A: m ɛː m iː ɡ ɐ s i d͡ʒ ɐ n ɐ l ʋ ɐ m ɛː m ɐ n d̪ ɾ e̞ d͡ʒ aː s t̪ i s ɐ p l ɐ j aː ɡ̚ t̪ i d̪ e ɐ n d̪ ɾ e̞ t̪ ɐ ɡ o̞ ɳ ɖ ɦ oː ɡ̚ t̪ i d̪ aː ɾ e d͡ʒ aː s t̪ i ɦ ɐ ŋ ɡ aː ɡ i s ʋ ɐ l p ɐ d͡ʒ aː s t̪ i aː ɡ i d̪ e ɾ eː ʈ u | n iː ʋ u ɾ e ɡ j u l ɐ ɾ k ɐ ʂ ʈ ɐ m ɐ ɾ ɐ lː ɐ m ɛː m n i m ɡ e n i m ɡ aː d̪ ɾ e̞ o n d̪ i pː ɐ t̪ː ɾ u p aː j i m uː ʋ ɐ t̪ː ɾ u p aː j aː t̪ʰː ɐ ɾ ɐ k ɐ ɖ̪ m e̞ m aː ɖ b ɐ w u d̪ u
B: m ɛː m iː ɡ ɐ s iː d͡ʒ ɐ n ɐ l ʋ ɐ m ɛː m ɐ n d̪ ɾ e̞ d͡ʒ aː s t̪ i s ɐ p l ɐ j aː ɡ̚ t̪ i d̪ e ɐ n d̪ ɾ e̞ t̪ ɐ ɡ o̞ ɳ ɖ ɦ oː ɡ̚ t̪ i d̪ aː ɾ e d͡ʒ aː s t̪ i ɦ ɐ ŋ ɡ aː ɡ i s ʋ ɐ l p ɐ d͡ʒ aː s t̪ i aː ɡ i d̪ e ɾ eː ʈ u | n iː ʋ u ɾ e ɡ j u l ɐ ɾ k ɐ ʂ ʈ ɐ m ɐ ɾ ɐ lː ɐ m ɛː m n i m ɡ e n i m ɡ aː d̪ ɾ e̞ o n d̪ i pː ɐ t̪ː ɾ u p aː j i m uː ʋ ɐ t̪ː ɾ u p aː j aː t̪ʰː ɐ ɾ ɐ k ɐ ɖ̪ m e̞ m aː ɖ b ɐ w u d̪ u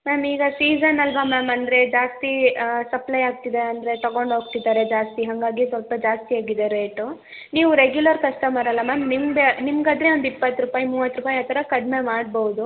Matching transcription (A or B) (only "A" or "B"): B